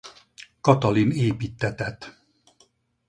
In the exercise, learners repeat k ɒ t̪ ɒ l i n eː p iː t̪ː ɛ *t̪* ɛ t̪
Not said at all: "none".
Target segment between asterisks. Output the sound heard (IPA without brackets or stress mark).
t̪